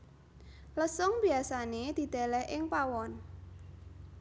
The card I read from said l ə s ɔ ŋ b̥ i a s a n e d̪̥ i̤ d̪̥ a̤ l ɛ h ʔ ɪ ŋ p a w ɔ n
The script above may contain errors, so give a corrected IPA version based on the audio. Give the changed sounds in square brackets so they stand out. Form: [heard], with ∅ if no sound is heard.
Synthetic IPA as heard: l ə s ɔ ŋ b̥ i a s a n e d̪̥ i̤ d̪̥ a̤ l ɛ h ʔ ɪ ŋ p a w ɔ n